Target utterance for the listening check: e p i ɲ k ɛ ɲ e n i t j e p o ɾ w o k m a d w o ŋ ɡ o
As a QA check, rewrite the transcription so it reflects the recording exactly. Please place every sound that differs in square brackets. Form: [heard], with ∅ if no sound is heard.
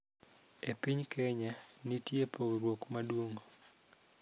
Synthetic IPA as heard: e p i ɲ k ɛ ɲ [a] n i t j e p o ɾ w o k m a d w o ŋ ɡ o